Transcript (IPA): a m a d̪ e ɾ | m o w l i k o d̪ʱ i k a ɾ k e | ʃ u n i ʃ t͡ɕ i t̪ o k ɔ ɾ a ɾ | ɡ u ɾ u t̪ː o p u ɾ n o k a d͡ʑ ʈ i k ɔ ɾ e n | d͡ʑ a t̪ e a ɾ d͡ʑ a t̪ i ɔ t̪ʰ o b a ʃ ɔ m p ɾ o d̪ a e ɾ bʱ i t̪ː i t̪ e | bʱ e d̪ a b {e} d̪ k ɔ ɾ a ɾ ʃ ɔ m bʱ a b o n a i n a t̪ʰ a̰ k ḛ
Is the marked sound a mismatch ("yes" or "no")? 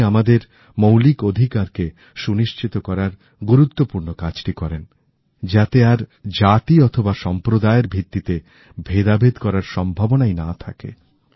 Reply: no